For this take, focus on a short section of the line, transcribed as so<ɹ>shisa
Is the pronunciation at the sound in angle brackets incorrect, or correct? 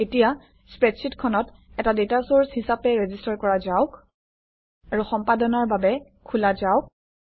correct